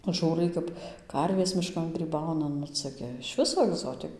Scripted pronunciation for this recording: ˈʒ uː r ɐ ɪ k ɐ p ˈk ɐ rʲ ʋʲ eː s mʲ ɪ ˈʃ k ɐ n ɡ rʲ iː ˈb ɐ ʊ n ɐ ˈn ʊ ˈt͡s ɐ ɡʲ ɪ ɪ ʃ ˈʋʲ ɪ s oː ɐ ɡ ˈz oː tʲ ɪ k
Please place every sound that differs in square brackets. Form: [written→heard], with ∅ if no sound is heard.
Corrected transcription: ˈʒ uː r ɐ ɪ k ɐ p ˈk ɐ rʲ ʋʲ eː s mʲ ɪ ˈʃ k ɐ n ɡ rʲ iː ˈb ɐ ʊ n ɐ ˈn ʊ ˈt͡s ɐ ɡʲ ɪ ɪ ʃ ˈʋʲ ɪ s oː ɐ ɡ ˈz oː tʲ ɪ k